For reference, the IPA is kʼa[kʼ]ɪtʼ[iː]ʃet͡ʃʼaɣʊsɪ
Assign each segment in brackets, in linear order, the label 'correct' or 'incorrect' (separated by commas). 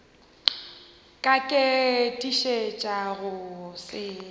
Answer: correct, incorrect